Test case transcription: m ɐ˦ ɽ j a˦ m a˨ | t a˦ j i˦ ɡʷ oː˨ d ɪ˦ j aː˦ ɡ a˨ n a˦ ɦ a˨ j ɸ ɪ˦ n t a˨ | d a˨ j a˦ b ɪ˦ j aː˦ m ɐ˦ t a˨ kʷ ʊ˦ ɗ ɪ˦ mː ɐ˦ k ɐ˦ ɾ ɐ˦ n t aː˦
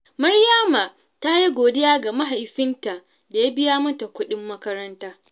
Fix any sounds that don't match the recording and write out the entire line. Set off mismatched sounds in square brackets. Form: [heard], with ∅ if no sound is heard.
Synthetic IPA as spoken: m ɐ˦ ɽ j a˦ m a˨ | t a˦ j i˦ ɡʷ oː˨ d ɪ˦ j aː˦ ɡ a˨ [m] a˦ ɦ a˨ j ɸ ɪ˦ n t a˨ | d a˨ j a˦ b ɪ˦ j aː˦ m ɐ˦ t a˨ kʷ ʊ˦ ɗ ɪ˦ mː ɐ˦ k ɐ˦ ɾ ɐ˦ n t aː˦